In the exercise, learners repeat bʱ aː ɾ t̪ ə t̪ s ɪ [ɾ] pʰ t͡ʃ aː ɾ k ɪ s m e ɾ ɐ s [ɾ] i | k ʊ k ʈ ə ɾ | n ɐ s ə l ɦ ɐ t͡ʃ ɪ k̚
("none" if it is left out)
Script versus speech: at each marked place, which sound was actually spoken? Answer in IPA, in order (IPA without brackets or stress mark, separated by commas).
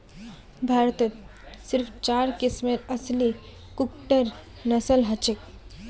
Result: ɾ, l